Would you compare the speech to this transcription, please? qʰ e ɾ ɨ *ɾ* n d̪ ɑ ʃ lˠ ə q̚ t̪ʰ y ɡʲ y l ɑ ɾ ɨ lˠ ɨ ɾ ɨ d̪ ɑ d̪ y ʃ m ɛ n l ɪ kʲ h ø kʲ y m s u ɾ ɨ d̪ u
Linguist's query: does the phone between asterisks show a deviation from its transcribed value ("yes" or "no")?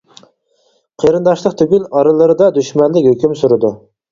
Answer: yes